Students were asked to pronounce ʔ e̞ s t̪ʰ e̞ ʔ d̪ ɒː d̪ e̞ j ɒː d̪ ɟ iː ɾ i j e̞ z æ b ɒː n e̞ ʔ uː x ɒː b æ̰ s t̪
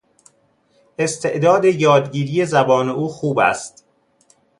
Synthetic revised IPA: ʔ e̞ s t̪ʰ e̞ ʔ d̪ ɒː d̪ e̞ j ɒː d̪ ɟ iː ɾ i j e̞ z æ b ɒː n e̞ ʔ uː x uː b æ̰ s t̪